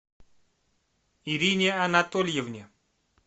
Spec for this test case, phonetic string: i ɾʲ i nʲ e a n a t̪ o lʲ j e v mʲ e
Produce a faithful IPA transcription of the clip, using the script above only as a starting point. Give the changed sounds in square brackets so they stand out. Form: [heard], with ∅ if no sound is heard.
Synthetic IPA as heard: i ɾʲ i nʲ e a n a t̪ o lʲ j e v [nʲ] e